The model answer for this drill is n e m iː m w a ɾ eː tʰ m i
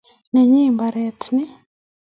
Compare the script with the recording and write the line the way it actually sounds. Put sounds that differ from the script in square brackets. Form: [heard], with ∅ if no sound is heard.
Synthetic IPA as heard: n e [ɲ] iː m [b] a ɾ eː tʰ [n] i

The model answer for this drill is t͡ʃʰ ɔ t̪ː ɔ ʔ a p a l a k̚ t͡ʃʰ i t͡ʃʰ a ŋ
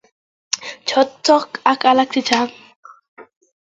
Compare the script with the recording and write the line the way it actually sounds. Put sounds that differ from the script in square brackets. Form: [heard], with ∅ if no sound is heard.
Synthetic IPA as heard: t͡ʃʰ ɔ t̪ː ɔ [k] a [k] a l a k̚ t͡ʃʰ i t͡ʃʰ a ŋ

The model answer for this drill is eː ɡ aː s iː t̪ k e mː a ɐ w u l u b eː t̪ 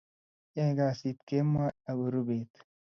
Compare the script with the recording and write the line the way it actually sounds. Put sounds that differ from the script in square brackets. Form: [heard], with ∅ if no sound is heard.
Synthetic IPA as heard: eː ɡ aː s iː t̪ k e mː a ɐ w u [ɾ] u b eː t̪

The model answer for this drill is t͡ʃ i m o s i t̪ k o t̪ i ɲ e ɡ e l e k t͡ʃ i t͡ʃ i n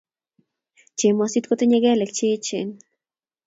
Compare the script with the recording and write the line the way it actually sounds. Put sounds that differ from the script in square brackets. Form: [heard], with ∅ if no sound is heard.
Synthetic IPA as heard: t͡ʃ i m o s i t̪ k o t̪ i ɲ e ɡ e l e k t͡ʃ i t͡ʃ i n

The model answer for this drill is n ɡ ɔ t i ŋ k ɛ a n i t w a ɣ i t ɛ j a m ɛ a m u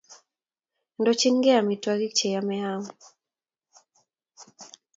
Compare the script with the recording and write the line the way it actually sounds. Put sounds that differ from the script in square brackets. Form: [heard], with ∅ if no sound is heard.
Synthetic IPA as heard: n [d] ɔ [t͡ʃ] i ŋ [ɡ] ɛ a [m] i t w a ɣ i [t͡ʃ] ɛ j a m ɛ a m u

